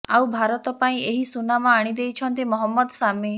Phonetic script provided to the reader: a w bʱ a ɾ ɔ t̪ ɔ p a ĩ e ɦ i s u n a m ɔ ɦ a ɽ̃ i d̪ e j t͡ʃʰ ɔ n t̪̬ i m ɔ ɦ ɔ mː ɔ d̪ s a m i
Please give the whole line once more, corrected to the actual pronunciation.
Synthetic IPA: a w bʱ a ɾ ɔ t̪ ɔ p a ĩ e ɦ i s u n a m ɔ a ɽ̃ i d̪ e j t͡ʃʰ ɔ n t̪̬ i m ɔ ɦ ɔ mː ɔ d̪ s a m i